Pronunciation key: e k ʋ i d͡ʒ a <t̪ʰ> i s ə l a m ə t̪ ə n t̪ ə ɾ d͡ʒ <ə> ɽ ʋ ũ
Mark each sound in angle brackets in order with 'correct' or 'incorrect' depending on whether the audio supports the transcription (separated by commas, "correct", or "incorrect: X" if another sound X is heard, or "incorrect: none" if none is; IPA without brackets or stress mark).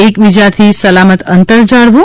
correct, incorrect: a